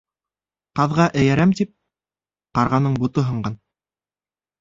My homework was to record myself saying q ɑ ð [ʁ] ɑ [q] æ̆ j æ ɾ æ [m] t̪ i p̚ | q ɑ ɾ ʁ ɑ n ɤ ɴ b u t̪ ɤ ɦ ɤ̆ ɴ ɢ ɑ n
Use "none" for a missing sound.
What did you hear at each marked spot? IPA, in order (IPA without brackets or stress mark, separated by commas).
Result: ʁ, ʔ, m